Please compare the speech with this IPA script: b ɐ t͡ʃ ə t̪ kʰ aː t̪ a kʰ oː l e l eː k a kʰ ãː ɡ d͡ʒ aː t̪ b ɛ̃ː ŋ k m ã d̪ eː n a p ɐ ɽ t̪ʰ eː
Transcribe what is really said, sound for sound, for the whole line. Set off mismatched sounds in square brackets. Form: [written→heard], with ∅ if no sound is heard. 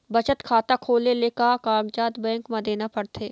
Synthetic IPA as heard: b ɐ t͡ʃ ə t̪ kʰ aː t̪ a kʰ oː l e l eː k a [kʰ→k] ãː ɡ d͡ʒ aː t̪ b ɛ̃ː ŋ k m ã d̪ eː n a p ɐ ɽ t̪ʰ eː